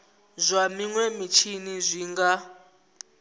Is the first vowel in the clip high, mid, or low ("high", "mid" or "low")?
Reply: low